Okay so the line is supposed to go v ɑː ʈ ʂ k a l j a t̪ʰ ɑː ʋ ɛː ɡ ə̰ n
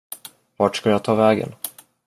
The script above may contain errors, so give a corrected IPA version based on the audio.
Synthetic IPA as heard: v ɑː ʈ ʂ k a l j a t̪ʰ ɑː v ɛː ɡ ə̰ n